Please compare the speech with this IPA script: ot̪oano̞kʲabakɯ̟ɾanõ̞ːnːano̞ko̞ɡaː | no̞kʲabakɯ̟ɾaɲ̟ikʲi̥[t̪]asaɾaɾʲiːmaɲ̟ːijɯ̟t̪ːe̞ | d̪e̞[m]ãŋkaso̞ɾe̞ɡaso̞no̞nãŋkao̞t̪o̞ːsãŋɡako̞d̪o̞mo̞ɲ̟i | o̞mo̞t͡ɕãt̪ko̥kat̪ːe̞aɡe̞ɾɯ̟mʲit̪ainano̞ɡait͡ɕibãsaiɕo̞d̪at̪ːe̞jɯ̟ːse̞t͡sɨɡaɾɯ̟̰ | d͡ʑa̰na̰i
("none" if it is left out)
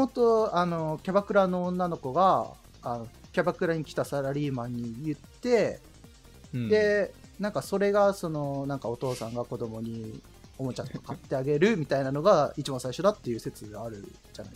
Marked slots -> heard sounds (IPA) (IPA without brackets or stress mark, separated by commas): t̪, n